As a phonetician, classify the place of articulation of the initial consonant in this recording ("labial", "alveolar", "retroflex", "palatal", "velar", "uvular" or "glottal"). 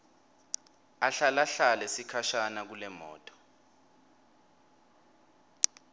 alveolar